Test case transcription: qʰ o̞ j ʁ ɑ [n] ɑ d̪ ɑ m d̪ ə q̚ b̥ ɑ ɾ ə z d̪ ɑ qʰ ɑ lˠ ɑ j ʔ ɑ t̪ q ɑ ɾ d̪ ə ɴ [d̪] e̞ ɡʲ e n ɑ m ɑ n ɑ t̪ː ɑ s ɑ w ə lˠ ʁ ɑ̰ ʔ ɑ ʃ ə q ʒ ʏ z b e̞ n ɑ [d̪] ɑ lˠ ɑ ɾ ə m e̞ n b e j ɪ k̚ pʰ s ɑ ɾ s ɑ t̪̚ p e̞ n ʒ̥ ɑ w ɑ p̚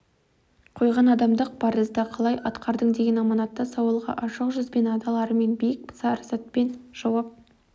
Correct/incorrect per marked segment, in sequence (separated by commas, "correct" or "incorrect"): correct, correct, correct